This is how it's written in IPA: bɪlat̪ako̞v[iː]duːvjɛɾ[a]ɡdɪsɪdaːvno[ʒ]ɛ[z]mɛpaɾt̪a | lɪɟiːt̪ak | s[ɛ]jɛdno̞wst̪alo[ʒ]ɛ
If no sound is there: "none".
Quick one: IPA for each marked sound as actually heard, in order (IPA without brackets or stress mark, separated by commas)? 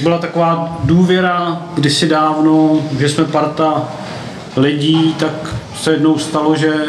aː, a, ʒ, s, ɛ, ʒ